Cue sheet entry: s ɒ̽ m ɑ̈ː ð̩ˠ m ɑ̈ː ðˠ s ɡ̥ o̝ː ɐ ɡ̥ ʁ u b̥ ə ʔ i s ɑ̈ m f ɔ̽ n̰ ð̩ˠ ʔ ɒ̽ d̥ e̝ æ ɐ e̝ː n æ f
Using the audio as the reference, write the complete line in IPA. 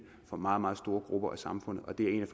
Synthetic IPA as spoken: f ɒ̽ m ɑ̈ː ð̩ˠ m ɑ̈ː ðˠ s d̥ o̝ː ɐ ɡ̥ ʁ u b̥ ɐ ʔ æ s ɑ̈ m f ɔ̽ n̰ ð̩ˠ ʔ ɒ̽ d̥ e̝ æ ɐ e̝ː n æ f